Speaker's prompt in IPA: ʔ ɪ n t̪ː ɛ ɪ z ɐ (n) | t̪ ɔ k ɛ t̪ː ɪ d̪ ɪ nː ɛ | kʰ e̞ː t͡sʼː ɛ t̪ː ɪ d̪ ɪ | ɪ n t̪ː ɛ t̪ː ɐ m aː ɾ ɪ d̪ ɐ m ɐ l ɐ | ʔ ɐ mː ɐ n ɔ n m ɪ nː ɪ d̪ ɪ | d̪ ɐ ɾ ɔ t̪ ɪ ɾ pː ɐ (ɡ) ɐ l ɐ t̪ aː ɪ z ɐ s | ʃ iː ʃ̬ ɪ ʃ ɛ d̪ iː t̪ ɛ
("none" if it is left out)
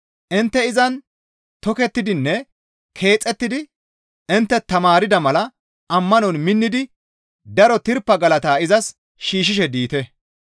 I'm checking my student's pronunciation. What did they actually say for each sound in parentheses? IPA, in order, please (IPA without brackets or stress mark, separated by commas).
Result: n, ɡ